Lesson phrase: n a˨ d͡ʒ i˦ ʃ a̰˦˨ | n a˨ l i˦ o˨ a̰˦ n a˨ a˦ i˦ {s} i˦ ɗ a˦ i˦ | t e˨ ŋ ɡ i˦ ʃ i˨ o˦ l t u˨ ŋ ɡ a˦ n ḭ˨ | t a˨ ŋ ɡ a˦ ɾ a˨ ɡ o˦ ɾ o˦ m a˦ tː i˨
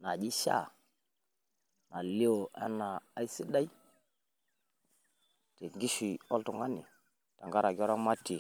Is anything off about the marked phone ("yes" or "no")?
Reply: no